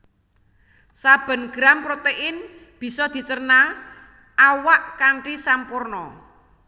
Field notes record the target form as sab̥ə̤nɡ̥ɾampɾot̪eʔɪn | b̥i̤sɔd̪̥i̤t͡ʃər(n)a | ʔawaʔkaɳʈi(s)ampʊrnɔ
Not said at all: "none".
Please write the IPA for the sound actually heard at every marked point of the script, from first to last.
n, s

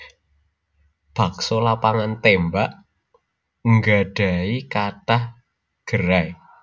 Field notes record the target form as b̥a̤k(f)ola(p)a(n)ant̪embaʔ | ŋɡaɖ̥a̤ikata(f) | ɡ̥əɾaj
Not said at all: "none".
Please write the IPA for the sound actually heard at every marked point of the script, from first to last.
s, p, ŋ, h

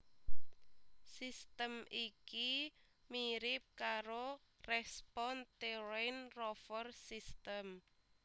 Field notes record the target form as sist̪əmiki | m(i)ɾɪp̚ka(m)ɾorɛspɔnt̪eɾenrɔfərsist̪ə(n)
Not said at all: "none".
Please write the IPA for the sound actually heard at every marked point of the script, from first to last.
i, none, m

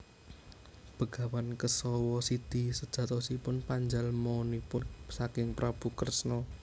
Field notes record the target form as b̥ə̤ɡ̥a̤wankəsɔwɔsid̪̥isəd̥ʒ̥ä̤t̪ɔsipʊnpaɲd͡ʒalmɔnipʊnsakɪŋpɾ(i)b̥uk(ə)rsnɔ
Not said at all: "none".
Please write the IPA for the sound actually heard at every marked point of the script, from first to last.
a, ə

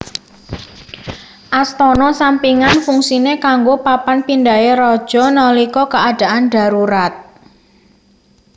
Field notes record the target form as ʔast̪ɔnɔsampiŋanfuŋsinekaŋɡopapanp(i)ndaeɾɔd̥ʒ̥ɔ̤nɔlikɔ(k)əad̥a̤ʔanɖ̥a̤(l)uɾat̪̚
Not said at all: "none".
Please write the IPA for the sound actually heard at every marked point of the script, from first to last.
i, k, ɾ

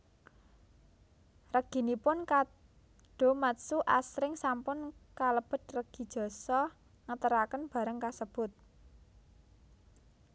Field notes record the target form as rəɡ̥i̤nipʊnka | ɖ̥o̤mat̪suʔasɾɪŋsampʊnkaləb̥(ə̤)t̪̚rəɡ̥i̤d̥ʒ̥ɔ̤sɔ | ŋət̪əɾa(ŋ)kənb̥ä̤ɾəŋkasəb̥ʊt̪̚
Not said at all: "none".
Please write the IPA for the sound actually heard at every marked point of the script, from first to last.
ə̤, none

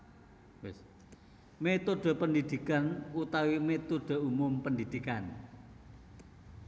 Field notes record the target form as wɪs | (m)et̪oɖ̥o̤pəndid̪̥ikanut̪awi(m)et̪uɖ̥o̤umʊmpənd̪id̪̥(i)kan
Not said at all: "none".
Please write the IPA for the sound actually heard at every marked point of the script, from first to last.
m, m, i

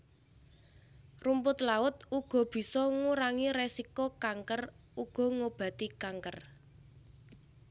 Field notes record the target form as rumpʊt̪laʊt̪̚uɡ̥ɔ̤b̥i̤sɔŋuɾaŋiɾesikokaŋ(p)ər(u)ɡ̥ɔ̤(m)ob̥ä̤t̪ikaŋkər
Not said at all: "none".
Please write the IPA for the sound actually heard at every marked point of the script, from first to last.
k, u, ŋ

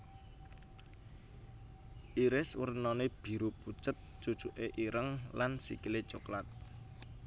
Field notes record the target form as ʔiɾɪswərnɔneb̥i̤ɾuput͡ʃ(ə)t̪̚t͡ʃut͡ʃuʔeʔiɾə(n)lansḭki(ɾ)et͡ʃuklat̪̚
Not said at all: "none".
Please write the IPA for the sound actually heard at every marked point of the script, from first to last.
ə, ŋ, l

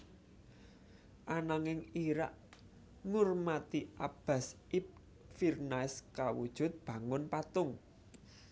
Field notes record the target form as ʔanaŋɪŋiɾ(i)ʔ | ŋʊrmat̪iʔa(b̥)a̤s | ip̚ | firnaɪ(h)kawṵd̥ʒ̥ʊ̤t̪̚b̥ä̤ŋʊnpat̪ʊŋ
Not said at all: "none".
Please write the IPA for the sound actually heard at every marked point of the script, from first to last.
a, b̥, s

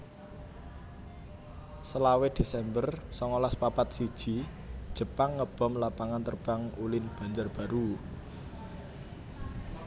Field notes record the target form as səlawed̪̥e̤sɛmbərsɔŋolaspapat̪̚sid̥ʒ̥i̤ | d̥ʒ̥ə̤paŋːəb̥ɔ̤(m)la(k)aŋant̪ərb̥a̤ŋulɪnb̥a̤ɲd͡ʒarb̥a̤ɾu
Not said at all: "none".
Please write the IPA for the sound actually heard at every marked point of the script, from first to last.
m, p

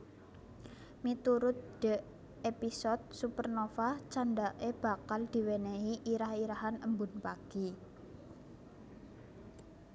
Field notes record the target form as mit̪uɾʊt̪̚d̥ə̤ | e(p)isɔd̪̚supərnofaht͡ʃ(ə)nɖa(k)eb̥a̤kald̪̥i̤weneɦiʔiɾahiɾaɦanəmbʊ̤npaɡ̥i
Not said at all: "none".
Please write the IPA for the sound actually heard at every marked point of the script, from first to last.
p, a, ʔ

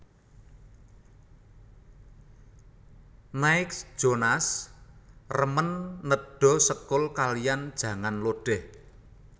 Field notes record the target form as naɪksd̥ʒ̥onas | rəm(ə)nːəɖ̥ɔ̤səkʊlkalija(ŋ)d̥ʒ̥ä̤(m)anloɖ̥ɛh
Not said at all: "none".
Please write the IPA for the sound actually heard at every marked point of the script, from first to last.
ə, n, ŋ

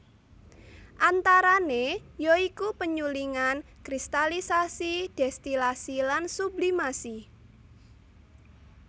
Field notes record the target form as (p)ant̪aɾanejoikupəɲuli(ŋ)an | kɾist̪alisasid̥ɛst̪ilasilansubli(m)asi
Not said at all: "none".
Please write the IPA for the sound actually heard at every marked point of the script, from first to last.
ʔ, ŋ, m

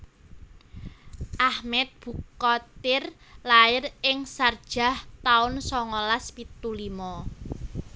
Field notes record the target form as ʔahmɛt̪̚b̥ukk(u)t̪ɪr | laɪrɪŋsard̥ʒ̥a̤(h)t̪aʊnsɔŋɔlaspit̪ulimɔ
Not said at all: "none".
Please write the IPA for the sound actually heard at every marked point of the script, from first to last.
ɔ, h

